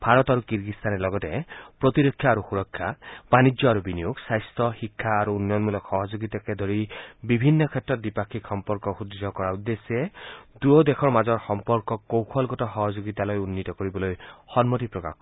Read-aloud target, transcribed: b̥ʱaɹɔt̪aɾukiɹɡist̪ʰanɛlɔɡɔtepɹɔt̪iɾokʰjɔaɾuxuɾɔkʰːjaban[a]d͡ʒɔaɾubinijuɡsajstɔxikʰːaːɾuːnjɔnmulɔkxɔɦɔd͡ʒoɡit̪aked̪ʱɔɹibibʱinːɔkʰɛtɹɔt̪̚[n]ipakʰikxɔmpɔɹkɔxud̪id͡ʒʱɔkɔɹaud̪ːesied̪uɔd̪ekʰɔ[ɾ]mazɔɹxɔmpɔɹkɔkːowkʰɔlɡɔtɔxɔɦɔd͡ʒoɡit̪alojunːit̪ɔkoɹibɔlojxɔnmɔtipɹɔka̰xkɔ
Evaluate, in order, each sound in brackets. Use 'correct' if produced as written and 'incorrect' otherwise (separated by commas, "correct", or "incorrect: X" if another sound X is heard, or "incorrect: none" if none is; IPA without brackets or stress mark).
incorrect: i, incorrect: d, incorrect: ɹ